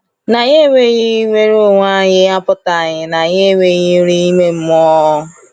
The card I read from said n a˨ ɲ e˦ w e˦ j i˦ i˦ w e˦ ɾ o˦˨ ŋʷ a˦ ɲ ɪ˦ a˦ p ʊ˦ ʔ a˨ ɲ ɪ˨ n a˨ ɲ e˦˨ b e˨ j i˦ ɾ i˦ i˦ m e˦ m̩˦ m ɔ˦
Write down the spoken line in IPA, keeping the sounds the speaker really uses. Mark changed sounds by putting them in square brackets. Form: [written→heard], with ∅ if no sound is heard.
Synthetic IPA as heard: n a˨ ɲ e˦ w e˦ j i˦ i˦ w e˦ ɾ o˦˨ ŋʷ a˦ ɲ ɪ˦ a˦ p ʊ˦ [ʔ→t] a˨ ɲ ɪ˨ n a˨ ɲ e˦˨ [b→w] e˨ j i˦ ɾ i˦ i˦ m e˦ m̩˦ m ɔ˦